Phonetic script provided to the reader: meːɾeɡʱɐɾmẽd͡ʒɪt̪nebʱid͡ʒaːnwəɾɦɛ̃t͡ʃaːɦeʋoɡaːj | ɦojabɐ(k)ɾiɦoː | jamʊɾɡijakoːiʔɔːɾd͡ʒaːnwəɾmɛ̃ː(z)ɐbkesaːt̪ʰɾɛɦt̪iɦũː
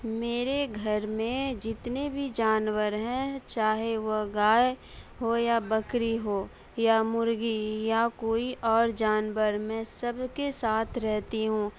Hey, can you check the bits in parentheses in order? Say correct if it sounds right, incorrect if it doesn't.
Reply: correct, incorrect: s

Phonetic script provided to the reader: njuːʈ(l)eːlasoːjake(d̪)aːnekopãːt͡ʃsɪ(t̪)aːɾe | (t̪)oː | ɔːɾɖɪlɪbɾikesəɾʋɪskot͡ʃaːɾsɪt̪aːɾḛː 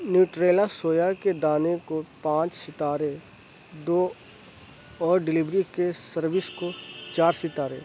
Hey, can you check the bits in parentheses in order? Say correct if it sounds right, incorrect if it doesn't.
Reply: incorrect: ɾ, correct, correct, incorrect: d̪

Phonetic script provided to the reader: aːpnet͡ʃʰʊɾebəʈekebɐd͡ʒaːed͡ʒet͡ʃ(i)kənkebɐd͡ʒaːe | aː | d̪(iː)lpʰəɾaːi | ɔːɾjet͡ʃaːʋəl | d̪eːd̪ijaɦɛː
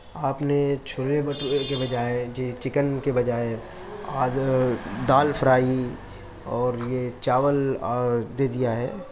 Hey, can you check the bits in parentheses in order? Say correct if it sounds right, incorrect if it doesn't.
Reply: incorrect: ɪ, incorrect: aː

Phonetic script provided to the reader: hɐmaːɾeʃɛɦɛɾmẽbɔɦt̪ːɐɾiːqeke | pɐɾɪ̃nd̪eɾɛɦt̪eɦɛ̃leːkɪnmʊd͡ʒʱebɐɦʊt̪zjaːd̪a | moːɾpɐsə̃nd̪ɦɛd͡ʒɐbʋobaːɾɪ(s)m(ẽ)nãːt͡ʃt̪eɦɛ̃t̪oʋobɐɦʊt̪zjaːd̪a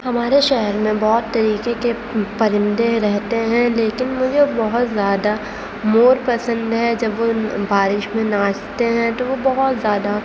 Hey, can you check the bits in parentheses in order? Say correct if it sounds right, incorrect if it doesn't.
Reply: incorrect: ʃ, correct

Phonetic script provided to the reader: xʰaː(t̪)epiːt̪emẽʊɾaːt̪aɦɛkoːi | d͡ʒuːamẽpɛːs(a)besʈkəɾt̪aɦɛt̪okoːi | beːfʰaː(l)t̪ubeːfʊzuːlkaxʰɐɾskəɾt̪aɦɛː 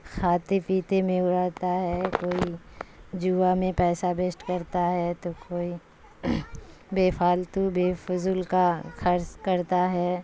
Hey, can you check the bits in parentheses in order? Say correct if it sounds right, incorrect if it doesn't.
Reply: correct, correct, correct

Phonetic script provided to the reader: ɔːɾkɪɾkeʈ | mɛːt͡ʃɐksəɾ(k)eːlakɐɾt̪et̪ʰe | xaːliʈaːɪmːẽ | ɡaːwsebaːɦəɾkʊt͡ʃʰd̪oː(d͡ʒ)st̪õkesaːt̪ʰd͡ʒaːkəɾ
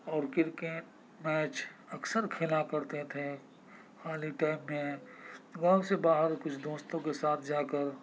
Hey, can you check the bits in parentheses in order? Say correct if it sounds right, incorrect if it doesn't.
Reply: incorrect: kʰ, incorrect: none

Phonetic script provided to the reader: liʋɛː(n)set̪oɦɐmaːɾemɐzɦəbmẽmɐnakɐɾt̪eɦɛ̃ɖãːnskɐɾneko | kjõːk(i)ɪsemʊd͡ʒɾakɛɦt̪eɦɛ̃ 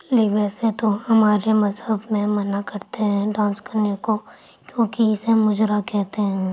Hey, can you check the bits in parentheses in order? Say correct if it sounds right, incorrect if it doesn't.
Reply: incorrect: none, correct

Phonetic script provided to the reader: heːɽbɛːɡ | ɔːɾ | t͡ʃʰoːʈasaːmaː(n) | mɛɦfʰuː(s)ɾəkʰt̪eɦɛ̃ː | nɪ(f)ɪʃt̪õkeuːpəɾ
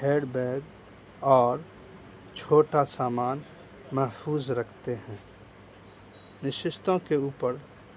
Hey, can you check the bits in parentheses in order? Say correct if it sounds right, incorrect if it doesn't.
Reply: correct, incorrect: z, incorrect: ʃ

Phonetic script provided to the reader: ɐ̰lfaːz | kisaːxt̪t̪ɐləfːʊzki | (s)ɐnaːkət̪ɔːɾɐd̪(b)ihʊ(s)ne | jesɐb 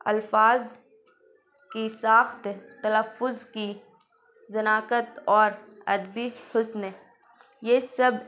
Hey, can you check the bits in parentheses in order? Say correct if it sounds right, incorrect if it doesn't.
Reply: incorrect: z, correct, correct

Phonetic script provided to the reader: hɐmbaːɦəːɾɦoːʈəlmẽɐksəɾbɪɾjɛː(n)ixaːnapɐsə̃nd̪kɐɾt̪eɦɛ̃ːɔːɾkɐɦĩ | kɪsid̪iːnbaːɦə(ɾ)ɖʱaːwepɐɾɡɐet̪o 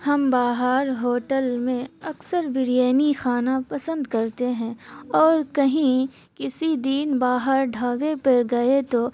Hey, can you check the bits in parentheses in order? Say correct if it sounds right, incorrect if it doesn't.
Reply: correct, correct

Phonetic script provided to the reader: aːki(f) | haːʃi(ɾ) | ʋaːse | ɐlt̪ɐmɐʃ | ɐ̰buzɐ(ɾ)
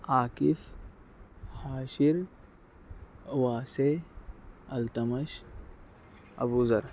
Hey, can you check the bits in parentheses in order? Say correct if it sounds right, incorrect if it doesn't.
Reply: correct, correct, correct

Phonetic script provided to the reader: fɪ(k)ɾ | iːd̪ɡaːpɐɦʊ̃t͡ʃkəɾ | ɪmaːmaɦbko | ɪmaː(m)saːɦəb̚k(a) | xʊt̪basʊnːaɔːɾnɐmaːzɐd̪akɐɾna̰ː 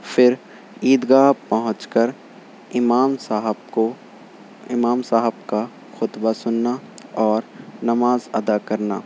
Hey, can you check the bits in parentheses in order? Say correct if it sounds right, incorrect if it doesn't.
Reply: incorrect: none, correct, correct

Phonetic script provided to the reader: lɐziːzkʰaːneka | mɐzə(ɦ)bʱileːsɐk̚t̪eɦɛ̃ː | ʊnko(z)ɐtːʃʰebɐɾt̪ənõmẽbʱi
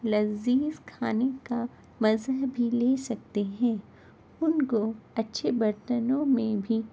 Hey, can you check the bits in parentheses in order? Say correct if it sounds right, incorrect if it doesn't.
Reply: correct, incorrect: none

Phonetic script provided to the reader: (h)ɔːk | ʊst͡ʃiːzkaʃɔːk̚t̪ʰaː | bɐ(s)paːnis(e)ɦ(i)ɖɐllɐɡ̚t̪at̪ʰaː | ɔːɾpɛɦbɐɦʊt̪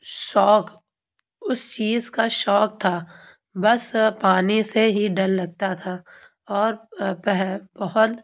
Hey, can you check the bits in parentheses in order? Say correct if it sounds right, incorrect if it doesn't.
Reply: incorrect: ʃ, correct, correct, correct

